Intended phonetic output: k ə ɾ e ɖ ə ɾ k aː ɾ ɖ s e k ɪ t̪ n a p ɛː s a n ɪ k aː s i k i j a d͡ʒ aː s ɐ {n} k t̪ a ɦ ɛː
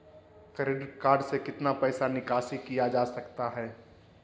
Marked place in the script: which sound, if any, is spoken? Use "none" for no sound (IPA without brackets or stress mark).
none